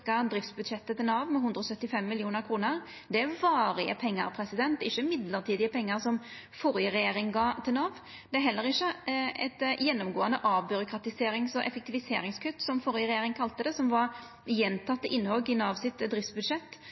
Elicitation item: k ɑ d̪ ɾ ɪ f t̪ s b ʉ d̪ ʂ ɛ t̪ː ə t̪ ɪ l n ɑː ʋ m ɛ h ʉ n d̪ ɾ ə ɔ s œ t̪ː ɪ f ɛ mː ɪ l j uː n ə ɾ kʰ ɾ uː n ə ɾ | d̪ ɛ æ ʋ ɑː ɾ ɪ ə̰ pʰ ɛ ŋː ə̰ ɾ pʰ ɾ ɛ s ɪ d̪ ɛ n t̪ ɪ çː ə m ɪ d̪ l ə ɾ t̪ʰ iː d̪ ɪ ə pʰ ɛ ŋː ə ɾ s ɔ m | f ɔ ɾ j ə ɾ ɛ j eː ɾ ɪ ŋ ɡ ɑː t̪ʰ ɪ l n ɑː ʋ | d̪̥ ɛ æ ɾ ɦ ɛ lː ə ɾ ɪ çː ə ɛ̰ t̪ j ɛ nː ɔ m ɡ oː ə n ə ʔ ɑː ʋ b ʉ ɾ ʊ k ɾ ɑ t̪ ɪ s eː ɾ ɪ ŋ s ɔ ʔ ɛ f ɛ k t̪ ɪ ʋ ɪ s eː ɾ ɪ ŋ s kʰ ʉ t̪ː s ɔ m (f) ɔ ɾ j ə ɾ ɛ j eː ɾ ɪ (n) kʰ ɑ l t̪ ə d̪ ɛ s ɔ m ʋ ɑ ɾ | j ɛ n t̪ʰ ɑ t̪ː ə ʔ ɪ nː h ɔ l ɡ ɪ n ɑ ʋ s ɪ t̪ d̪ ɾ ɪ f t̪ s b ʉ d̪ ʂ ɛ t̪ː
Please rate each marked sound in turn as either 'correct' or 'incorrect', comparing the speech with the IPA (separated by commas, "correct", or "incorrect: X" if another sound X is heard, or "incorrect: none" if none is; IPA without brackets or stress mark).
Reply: correct, incorrect: ŋ